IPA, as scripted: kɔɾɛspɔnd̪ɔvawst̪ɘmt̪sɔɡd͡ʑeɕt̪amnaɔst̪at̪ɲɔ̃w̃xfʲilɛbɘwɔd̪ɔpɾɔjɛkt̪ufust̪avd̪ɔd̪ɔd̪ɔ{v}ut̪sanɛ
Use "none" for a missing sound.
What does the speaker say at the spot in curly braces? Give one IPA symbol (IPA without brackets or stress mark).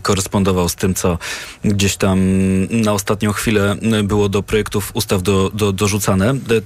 ʐ